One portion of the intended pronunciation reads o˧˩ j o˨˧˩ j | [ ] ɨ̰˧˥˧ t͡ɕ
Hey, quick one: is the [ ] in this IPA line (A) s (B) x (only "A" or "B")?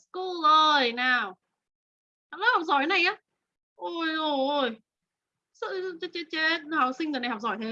A